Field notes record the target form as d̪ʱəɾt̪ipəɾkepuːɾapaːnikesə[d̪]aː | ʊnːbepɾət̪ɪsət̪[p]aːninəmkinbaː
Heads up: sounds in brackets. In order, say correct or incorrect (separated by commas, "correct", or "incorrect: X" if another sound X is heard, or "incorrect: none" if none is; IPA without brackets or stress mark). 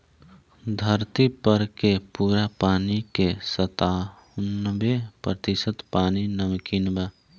incorrect: t̪, correct